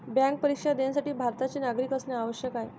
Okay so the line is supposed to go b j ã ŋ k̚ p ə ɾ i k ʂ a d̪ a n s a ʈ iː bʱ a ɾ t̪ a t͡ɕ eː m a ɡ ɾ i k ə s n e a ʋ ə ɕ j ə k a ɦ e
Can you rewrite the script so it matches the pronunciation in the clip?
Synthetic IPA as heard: b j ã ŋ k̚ p ə ɾ i k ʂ a d̪ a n s a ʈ iː bʱ a ɾ t̪ a t͡ɕ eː n a ɡ ɾ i k ə s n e a ʋ ə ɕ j ə k a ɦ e